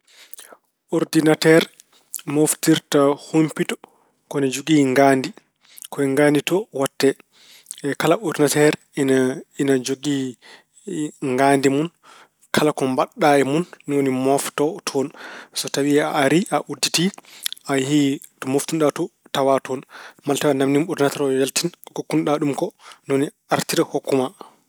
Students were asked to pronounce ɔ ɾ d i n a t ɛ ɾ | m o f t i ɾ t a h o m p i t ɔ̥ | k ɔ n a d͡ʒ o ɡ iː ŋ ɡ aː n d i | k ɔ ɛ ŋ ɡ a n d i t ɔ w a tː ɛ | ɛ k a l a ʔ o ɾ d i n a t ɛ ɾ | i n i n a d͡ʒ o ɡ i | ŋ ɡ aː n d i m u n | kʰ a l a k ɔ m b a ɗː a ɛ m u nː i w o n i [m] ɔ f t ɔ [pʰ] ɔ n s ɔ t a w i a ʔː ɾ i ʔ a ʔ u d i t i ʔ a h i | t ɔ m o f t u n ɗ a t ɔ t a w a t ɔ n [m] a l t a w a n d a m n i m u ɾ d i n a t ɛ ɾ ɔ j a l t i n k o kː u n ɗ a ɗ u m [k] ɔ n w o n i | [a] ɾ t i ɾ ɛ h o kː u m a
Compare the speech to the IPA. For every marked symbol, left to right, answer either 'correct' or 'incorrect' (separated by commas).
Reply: correct, incorrect, correct, correct, correct